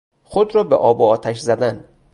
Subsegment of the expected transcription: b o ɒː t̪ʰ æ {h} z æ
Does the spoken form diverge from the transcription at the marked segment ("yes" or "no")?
yes